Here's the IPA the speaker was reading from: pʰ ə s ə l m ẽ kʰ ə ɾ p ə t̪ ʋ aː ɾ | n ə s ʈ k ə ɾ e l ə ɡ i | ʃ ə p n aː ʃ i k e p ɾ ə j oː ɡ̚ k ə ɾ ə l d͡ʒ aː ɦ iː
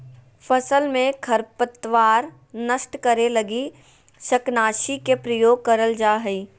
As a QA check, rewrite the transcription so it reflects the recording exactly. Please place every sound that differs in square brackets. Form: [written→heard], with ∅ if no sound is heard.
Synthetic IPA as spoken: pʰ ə s ə l m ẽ kʰ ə ɾ p ə t̪ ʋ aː ɾ | n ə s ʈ k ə ɾ e l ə ɡ i | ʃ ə [p→k] n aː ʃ i k e p ɾ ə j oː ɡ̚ k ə ɾ ə l d͡ʒ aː ɦ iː